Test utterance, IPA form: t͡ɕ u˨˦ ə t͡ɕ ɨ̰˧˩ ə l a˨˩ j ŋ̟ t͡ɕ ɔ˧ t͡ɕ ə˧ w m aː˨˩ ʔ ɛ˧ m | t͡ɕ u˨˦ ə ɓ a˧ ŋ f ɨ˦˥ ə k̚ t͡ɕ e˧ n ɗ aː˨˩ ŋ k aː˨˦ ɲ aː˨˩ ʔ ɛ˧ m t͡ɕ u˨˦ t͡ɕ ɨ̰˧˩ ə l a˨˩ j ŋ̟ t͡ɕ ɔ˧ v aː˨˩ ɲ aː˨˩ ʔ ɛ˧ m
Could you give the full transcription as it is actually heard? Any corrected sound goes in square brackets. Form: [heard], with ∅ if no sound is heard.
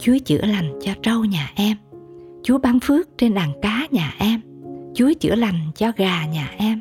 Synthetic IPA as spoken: t͡ɕ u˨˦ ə t͡ɕ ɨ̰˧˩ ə l a˨˩ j ŋ̟ t͡ɕ ɔ˧ t͡ɕ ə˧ w [ɲ] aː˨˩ ʔ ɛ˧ m | t͡ɕ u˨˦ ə ɓ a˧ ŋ f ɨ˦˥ ə k̚ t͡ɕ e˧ n ɗ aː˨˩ ŋ k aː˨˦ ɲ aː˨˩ ʔ ɛ˧ m t͡ɕ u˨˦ t͡ɕ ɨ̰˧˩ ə l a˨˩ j ŋ̟ t͡ɕ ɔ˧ [ɣ] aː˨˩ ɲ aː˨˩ ʔ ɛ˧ m